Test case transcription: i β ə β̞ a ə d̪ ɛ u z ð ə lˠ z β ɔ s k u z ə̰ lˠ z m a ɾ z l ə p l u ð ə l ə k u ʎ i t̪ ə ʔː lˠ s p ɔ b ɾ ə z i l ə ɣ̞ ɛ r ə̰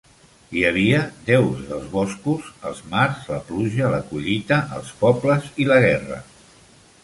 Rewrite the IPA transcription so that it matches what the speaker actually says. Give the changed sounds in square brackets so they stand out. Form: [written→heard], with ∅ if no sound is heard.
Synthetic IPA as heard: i [β→∅] ə β̞ [a→i] ə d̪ ɛ [u→w] z ð ə lˠ z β ɔ s k u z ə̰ lˠ z m a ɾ z l ə p l u [ð→ʒ] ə l ə k u ʎ i t̪ ə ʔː lˠ s p ɔ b [ɾ→l] ə z i l ə ɣ̞ ɛ r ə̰